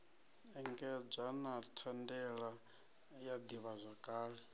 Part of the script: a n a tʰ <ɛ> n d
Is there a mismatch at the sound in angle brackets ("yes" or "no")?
yes